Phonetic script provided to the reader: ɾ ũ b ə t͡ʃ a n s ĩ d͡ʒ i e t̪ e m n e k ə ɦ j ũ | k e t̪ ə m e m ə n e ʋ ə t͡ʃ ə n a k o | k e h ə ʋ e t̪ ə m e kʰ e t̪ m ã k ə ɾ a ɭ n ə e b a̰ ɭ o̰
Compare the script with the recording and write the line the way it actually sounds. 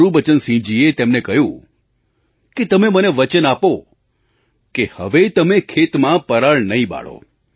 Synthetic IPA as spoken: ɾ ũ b ə t͡ʃ ə n s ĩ d͡ʒ i e t̪ e m n e k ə ɦ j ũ | k e t̪ ə m e m ə n e ʋ ə t͡ʃ ə n a p o | k e h ə ʋ e t̪ ə m e kʰ e t̪ m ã p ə ɾ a ɭ n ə i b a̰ ɭ o̰